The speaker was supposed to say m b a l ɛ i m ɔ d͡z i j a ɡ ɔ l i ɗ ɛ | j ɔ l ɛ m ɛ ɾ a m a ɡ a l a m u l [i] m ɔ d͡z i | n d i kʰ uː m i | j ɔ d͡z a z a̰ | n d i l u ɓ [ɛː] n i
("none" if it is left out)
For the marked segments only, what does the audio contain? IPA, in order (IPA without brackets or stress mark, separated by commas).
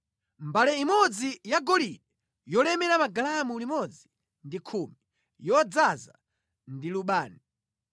i, aː